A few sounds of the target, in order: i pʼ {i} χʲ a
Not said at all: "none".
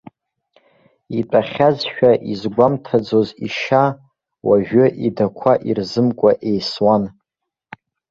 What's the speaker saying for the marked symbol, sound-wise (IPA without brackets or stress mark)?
a